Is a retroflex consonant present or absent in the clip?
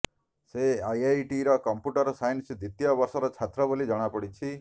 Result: present